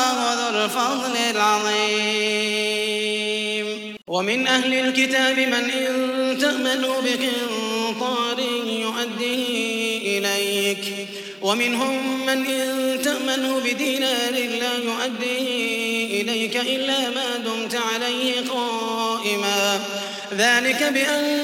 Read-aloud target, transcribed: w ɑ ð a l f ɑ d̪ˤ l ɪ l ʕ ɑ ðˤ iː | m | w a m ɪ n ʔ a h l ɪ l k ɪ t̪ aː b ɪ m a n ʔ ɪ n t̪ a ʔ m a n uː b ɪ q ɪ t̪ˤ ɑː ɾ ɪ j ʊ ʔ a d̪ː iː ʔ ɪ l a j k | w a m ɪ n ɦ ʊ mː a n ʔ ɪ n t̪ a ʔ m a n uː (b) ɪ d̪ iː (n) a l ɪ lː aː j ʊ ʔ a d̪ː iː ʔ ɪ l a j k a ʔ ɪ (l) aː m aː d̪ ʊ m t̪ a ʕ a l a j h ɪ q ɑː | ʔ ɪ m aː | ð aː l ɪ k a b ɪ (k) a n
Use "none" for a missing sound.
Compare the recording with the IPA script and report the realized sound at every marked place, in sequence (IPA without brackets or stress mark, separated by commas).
b, n, lː, ʔ